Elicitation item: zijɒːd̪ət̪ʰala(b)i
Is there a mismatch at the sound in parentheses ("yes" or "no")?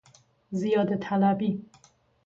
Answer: no